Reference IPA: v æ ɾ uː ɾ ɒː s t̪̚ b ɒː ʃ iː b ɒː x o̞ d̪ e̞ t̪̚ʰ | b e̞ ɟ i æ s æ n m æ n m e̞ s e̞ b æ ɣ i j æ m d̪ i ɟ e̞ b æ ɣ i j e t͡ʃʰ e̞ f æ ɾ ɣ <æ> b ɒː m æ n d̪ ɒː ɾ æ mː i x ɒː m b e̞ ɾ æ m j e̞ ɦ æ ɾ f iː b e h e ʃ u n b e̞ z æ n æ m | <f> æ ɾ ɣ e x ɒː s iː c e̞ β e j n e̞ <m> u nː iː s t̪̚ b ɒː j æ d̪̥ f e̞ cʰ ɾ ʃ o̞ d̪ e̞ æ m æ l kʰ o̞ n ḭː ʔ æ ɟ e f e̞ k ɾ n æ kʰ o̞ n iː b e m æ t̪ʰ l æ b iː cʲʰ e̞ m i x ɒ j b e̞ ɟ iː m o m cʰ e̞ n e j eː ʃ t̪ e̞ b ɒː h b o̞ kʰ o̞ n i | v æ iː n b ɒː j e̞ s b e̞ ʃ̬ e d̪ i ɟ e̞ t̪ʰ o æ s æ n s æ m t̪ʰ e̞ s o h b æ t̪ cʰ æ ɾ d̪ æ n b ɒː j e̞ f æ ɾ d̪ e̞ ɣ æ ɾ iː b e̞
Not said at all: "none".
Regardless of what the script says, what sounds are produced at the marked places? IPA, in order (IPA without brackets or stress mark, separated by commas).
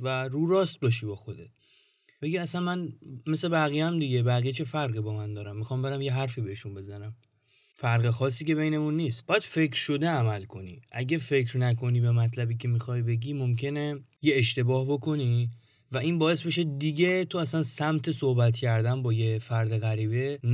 i, f, m